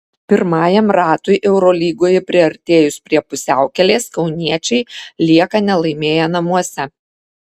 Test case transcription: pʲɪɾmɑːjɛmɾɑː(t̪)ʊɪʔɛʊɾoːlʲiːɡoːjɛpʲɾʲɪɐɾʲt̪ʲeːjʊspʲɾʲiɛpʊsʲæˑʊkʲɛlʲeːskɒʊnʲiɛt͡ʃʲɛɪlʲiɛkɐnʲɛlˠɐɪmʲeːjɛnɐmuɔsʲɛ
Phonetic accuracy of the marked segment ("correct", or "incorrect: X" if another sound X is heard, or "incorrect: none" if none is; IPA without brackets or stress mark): correct